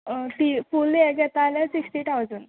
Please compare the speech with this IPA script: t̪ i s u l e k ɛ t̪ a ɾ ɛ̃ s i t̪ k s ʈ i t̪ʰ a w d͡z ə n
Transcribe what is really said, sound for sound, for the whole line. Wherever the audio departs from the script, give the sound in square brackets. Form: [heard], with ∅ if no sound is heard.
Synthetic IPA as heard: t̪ i [f] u l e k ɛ t̪ a [l] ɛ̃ s i [∅] k s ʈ i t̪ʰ a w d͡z ə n